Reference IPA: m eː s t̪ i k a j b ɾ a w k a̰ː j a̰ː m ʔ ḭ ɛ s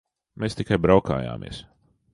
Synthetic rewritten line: m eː s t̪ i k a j b ɾ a w k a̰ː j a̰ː m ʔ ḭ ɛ s